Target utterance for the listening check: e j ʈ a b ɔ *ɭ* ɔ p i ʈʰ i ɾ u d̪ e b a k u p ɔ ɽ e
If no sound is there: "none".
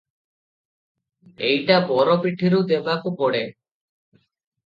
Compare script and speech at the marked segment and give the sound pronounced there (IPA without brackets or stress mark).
ɾ